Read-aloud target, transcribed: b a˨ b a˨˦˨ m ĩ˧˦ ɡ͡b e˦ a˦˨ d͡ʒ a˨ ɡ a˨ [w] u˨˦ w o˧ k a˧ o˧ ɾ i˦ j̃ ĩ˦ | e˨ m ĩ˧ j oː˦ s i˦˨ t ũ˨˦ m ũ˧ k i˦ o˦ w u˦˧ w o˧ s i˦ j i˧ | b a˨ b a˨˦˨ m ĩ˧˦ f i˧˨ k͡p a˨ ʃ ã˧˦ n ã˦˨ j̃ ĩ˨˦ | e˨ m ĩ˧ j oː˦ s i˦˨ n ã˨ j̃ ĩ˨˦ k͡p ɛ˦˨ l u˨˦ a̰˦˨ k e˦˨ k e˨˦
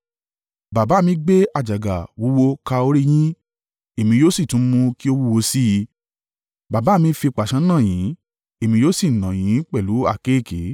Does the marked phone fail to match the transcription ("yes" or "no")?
no